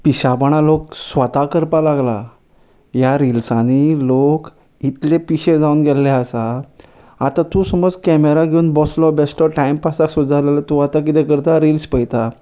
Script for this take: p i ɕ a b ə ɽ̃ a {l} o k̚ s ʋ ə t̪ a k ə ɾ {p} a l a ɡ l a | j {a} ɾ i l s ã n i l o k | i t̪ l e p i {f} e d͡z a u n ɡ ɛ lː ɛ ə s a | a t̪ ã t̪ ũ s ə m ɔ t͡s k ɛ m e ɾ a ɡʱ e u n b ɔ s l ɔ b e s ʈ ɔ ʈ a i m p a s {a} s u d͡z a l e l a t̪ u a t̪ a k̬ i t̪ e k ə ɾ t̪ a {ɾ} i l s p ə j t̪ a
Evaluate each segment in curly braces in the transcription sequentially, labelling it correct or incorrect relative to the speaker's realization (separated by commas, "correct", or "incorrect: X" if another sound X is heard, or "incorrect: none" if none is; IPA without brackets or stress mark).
correct, correct, correct, incorrect: ɕ, correct, correct